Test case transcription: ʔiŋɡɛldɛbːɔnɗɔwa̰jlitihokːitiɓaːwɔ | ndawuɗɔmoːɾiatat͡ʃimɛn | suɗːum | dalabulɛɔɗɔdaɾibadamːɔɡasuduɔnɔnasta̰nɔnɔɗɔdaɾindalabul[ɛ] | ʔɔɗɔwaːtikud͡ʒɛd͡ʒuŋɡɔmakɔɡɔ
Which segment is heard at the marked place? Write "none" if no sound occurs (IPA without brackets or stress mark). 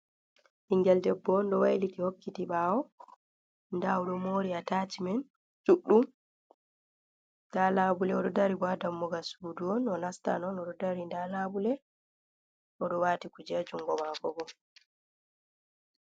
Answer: ɛ